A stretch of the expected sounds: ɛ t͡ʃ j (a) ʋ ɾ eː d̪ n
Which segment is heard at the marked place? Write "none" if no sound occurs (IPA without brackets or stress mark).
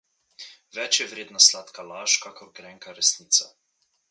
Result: ɛ